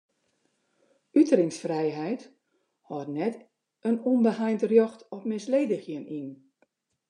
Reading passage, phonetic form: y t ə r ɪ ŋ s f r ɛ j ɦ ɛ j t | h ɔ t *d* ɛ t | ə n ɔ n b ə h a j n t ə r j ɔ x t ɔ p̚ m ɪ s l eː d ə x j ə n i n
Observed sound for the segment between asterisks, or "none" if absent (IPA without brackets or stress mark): n